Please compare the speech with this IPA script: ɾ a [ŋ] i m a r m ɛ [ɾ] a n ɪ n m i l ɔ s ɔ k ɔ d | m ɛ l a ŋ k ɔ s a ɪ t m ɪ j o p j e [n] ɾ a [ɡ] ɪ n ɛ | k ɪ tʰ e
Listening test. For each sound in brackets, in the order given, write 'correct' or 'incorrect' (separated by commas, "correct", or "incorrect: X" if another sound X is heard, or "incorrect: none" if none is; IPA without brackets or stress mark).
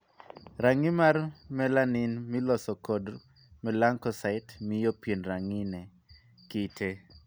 correct, incorrect: l, correct, incorrect: ŋ